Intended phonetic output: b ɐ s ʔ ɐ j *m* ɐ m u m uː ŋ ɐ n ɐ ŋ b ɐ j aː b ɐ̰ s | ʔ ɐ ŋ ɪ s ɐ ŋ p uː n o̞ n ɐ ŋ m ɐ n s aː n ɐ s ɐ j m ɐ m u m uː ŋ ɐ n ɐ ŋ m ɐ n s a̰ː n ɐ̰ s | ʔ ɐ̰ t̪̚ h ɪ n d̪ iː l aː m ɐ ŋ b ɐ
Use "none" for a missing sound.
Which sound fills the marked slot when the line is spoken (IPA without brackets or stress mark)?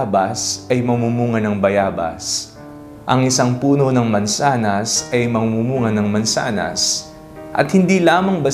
m